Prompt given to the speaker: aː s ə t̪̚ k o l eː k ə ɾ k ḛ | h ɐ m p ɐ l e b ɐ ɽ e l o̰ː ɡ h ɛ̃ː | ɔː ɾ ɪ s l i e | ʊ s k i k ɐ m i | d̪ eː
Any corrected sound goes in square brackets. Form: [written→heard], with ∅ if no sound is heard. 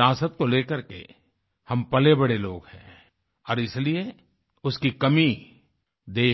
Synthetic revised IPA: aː s ə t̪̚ k o l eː k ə ɾ k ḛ | h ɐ m p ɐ l e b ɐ ɽ e l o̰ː ɡ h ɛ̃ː | ɔː ɾ ɪ s l i e | ʊ s k i k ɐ m i | d̪ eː